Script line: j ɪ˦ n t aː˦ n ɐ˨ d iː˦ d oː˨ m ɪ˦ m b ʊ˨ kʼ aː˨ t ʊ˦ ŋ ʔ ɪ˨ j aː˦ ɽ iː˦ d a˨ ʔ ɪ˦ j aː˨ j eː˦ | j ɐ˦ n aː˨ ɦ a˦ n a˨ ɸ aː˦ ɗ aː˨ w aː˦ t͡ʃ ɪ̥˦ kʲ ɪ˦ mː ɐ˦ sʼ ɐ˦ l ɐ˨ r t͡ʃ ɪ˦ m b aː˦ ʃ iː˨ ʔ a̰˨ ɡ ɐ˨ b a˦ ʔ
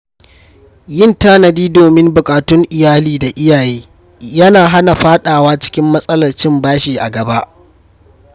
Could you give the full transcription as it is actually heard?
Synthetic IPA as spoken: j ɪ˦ n t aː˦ n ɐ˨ d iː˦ d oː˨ m ɪ˦ m b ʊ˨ kʼ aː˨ t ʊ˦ ŋ ʔ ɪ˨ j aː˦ l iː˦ d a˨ ʔ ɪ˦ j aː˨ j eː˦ | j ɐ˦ n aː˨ ɦ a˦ n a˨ ɸ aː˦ ɗ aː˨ w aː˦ t͡ʃ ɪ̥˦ kʲ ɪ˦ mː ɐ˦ sʼ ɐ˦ l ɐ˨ r t͡ʃ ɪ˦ m b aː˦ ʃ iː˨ ʔ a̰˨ ɡ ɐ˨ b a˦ ʔ

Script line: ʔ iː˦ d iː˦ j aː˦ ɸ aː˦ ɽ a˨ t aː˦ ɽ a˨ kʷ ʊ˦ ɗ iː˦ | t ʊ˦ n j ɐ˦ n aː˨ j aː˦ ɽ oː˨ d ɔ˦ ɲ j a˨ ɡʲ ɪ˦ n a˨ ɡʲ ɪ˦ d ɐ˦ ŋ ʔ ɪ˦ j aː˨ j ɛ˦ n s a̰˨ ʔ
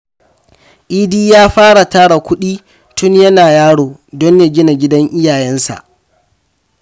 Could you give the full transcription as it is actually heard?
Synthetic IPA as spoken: ʔ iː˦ d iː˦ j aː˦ ɸ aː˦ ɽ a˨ t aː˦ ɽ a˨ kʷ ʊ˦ ɗ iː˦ | t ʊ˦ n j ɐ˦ n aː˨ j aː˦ ɽ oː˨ d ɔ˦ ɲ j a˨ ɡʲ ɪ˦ n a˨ ɡʲ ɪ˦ d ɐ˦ ŋ ʔ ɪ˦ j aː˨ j ɛ˦ n s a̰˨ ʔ

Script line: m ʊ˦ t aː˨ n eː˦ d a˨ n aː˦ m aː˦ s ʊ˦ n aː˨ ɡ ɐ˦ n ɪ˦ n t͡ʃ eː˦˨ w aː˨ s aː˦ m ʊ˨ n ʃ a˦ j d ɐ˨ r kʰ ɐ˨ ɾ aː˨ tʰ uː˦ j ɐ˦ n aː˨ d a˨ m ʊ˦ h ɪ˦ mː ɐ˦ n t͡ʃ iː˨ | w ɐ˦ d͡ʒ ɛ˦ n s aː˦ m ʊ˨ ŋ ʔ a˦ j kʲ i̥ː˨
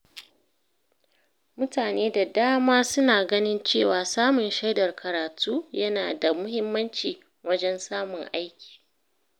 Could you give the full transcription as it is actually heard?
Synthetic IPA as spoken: m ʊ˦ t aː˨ n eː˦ d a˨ d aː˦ m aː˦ s ʊ˦ n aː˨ ɡ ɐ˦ n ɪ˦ n t͡ʃ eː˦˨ w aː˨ s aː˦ m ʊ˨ n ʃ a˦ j d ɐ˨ r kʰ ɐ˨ ɾ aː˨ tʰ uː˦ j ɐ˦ n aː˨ d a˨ m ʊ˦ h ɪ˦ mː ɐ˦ n t͡ʃ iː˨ | w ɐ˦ d͡ʒ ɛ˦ n s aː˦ m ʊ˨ ŋ ʔ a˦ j kʲ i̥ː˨

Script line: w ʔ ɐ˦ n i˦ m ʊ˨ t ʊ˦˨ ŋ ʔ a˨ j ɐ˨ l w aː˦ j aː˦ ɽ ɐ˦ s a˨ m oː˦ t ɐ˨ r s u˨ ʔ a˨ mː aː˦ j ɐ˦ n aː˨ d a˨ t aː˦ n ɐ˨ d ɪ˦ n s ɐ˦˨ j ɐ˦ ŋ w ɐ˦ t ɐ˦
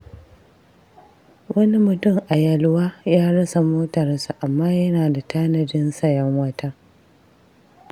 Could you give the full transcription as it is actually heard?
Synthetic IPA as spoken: w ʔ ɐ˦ n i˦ m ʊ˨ t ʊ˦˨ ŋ ʔ a˨ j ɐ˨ l w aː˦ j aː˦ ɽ ɐ˦ s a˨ m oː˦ t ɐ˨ r s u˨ ʔ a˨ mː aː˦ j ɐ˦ n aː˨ d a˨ t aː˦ n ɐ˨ d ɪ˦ n s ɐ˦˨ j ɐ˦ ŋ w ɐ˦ t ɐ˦

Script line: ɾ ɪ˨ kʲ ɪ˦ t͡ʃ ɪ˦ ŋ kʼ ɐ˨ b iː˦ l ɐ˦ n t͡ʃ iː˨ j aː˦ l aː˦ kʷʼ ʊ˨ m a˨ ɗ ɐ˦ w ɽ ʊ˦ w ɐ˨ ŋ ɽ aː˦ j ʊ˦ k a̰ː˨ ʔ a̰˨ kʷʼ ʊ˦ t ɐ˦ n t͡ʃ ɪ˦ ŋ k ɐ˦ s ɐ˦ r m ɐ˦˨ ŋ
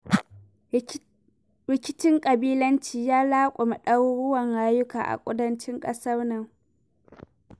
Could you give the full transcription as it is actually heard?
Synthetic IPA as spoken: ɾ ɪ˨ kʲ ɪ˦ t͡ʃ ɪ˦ ŋ kʼ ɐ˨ b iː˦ l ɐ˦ n t͡ʃ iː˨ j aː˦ l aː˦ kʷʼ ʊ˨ m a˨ ɗ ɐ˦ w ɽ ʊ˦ w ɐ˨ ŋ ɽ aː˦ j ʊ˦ k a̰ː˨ ʔ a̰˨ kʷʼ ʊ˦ d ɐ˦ n t͡ʃ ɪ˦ ŋ kʼ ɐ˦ s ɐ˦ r n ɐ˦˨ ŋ

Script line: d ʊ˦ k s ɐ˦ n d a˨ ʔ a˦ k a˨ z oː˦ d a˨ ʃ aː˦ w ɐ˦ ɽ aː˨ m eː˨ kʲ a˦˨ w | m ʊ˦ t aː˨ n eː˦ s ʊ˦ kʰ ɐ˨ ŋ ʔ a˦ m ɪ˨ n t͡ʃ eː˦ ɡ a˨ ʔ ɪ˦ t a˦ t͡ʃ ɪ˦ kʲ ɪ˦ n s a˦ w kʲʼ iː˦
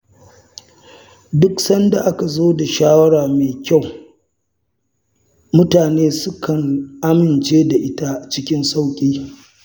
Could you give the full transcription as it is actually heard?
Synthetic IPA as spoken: d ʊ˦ k s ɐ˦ n d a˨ ʔ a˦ k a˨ z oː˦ d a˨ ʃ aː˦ w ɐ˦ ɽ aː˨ m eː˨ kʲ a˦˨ w | m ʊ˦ t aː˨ n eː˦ s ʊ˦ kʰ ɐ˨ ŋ ʔ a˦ m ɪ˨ n t͡ʃ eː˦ d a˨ ʔ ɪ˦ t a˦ t͡ʃ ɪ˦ kʲ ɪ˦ n s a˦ w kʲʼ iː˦

